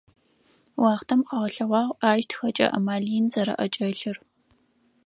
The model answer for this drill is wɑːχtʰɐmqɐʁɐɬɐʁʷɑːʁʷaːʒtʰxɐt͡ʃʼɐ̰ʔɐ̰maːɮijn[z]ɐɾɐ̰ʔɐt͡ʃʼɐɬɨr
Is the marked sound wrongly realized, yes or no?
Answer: no